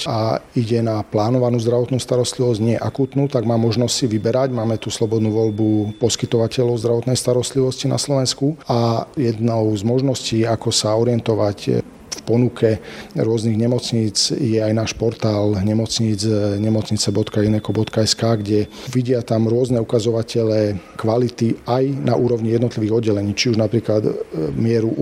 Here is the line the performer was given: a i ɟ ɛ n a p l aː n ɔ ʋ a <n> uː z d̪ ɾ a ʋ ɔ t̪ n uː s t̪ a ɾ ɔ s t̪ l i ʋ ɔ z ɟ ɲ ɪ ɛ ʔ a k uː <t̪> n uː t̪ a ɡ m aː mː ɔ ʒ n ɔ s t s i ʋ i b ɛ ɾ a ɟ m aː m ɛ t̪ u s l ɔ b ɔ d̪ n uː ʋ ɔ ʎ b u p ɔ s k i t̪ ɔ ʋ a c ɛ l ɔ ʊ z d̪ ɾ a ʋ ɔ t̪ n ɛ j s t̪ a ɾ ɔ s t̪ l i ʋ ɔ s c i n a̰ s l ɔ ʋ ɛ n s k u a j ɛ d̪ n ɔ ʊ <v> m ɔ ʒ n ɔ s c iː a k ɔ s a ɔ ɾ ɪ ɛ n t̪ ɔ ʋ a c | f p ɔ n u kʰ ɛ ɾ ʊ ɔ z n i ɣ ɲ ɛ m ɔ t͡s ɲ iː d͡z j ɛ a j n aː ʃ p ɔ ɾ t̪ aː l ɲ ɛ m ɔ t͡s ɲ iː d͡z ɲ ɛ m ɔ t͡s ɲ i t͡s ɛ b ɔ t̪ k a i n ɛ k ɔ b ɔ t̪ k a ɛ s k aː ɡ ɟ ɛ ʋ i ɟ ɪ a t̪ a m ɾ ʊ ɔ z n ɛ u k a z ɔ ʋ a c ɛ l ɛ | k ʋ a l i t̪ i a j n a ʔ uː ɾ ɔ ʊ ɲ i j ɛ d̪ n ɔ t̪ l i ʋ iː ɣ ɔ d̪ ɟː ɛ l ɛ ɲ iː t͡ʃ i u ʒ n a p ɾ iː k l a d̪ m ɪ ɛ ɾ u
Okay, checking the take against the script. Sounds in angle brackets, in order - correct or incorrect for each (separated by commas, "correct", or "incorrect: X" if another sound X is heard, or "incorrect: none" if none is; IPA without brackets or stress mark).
correct, correct, incorrect: z